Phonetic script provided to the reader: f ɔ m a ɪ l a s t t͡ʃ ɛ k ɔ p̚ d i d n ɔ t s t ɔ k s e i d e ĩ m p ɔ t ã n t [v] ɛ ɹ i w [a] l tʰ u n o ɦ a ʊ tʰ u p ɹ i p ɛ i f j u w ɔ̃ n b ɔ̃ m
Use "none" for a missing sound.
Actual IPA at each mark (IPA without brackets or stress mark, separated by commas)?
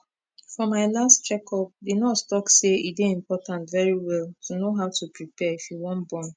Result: v, ɛ